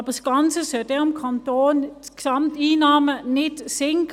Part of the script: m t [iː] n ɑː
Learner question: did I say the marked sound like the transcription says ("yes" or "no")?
yes